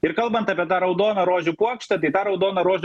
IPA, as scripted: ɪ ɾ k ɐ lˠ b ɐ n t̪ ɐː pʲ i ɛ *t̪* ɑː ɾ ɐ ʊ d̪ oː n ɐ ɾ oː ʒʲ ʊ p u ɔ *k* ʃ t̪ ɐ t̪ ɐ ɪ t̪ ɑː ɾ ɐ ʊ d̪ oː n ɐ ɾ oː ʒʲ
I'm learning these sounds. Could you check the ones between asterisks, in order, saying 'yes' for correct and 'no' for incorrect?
yes, yes

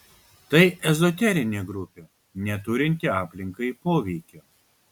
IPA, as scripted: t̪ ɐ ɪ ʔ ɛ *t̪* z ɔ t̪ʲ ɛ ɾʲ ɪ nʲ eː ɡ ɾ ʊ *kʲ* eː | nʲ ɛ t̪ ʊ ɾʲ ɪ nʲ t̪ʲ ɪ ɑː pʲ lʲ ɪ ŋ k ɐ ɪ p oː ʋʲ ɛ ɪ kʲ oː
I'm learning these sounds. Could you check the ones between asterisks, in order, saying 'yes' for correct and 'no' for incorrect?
no, no

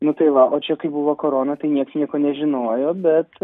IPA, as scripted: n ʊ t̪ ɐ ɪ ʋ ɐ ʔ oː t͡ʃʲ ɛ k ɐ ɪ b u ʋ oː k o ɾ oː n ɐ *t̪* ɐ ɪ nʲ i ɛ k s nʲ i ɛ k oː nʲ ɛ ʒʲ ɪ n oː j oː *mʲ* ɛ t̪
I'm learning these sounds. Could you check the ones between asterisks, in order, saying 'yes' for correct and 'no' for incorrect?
yes, no

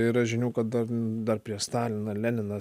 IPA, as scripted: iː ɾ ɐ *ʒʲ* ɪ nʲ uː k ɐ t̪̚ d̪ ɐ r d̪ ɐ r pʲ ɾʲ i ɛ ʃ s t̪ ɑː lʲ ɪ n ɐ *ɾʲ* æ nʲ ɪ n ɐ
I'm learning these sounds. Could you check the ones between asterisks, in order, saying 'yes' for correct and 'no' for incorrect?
yes, no

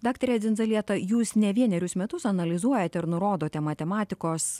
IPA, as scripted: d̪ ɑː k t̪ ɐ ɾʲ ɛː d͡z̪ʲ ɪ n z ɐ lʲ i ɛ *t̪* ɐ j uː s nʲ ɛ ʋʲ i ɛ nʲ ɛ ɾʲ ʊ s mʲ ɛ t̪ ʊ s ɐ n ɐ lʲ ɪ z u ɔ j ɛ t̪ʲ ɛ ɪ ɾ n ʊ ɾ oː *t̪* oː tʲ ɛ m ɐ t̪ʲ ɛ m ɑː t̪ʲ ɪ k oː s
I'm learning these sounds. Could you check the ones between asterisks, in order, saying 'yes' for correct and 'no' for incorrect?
yes, no

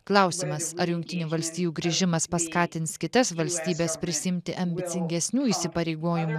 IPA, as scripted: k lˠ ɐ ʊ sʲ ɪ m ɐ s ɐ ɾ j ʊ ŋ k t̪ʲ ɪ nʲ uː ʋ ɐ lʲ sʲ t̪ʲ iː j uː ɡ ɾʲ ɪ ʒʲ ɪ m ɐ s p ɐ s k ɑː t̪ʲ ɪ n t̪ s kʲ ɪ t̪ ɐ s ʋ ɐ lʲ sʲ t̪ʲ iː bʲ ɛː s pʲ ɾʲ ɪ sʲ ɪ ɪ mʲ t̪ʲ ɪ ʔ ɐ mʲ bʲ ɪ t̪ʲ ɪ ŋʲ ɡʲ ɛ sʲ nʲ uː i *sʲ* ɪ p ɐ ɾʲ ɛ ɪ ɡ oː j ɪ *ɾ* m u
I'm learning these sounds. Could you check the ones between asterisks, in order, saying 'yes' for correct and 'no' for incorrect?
yes, no

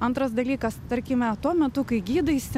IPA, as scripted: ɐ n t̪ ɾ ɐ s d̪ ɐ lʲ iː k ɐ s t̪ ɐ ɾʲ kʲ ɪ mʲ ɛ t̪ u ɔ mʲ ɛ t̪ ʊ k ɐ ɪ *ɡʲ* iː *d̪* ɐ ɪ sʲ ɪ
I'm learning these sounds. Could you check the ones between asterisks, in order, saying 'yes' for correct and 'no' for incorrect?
yes, yes

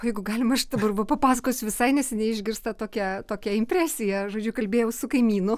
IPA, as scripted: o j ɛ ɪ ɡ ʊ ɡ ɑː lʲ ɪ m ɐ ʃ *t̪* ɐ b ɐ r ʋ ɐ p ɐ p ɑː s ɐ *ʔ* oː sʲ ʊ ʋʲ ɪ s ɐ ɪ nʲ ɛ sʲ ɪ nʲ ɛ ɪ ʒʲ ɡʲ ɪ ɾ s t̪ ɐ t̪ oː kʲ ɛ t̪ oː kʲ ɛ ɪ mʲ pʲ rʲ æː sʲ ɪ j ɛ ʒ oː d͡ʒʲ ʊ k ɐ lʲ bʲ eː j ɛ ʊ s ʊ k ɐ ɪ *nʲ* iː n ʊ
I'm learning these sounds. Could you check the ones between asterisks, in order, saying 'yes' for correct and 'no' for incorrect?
no, no, no

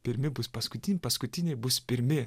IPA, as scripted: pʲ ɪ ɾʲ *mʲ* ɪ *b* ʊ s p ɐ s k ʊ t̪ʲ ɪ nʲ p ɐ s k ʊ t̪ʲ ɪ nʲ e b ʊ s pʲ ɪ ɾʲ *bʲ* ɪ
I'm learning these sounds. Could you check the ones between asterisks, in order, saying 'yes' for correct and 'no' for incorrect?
yes, yes, no

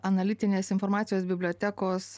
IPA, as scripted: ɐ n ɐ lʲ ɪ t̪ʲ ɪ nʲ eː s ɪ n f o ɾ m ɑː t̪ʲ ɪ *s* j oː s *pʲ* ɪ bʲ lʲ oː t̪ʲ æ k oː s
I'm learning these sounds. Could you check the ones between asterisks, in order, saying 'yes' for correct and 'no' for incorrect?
no, no

